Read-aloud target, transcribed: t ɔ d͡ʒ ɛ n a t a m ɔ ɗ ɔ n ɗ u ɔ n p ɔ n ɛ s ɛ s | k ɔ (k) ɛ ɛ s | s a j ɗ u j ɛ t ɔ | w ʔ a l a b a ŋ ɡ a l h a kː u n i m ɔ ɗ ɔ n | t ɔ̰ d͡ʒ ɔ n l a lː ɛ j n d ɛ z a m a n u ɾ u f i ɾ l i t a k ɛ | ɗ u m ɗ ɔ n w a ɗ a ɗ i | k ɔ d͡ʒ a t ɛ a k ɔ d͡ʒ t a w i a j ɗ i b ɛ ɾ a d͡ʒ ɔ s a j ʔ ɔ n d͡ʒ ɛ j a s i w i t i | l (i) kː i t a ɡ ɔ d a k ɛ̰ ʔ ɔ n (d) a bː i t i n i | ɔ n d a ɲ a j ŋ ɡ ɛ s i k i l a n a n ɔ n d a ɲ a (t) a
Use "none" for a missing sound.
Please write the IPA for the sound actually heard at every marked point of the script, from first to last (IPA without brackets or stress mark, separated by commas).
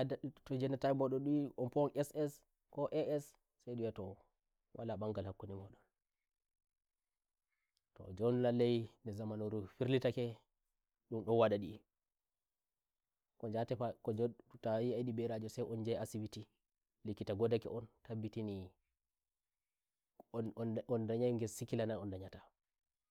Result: ʔ, i, t, t